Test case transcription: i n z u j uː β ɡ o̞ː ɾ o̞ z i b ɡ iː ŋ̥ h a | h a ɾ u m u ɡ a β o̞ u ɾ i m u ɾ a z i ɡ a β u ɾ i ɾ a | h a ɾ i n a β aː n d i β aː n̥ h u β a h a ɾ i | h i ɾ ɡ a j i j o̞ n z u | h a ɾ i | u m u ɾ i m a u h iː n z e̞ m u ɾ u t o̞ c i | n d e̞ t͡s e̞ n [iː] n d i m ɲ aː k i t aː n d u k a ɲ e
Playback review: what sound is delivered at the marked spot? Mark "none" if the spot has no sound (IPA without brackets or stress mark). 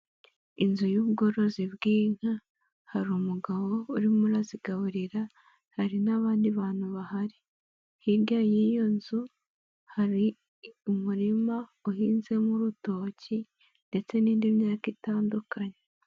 iː